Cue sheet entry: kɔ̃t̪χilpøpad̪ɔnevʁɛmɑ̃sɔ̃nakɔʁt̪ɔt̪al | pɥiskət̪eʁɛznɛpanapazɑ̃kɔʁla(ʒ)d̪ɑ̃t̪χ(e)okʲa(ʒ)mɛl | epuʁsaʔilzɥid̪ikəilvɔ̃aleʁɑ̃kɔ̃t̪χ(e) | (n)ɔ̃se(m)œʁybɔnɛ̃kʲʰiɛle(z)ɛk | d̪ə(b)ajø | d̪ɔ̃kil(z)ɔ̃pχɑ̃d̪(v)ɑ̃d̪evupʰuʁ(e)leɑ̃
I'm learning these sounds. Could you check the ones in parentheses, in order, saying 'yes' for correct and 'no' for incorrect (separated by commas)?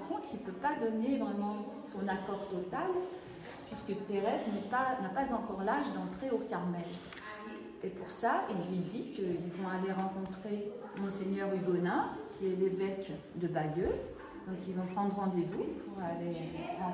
yes, yes, no, yes, no, no, no, yes, no, no, no